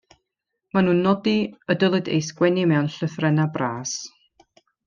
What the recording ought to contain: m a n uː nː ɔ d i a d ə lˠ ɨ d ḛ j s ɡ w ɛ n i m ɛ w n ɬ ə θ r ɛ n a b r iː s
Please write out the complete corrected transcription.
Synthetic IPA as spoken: m a n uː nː ɔ d i ə d ə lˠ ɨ d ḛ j s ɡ w ɛ n i m ɛ w n ɬ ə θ r ɛ n a b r aː s